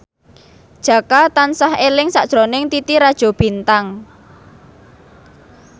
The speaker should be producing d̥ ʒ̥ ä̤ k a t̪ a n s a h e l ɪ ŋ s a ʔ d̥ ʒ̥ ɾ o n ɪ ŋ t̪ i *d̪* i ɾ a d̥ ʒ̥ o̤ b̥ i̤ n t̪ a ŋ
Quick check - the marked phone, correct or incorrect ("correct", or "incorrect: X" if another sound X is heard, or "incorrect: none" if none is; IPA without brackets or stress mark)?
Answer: incorrect: t̪